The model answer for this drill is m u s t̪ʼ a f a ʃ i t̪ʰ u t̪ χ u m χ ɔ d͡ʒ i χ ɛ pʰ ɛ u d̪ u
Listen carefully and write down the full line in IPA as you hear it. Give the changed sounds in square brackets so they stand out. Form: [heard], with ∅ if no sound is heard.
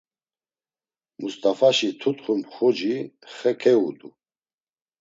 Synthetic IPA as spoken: m u s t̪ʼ a f a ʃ i t̪ʰ u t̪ χ u m χ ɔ d͡ʒ i χ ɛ [kʰ] ɛ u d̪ u